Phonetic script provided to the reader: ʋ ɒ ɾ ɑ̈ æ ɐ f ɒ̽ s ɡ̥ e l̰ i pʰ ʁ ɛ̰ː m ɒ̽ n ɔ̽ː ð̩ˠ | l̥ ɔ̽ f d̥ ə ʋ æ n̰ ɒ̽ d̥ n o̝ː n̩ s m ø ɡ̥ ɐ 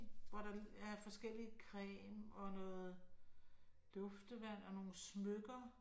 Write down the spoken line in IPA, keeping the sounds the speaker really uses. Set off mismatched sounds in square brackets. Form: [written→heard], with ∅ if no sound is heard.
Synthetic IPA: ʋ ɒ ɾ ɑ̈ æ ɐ f ɒ̽ s ɡ̥ e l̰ i [pʰ→kʰ] ʁ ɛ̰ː m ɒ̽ n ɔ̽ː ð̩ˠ | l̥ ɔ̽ f d̥ ə ʋ æ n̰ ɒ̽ [d̥→∅] n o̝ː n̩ s m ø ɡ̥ ɐ